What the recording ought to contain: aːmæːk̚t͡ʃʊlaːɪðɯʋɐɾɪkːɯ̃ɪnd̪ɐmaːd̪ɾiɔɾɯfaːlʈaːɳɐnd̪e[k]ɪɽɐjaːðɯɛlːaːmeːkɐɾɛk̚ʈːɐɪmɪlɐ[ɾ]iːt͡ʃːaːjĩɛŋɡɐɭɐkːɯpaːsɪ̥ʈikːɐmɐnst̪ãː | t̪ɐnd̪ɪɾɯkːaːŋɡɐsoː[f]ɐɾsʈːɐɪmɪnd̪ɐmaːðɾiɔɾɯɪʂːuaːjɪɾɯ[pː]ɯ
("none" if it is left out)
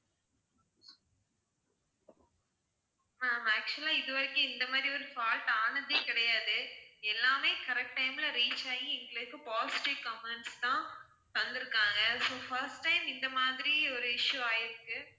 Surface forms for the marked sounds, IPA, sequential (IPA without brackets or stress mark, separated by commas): k, ɾ, f, kː